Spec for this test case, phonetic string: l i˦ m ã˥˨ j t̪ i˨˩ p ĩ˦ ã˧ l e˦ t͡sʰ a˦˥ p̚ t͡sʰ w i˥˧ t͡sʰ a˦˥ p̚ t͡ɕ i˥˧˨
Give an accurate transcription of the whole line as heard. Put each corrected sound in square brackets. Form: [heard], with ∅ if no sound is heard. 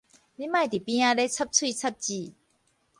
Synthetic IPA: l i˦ m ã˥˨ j t̪ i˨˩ p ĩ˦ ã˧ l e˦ t͡sʰ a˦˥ p̚ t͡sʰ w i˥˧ t͡sʰ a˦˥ p̚ t͡ɕ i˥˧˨

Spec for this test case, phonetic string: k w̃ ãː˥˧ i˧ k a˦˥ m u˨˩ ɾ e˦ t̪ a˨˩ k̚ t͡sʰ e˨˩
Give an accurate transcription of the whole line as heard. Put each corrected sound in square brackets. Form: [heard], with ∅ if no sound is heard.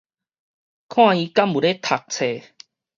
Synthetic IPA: [kʰ] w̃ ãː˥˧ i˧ k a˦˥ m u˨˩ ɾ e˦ [t̪ʰ] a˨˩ k̚ t͡sʰ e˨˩

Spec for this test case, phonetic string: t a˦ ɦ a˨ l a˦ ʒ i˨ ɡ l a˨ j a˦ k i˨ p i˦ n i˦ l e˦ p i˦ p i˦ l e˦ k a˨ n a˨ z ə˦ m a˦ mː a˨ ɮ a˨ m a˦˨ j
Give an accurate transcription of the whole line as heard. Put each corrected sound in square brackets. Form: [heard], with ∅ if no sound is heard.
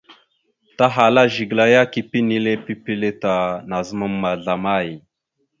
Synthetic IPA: t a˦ ɦ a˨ l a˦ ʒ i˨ ɡ l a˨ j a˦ k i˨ p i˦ n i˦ l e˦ p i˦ p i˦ l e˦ [t] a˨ n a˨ z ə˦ m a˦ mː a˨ ɮ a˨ m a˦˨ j

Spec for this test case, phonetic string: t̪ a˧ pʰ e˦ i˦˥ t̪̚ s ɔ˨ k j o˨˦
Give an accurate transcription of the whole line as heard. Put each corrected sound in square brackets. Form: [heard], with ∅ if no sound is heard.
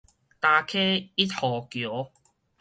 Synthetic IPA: t̪ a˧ [kʰ] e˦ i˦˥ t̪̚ [h] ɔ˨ k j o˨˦

